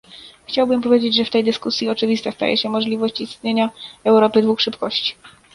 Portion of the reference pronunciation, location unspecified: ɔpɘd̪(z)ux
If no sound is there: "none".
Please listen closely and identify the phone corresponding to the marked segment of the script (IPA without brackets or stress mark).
v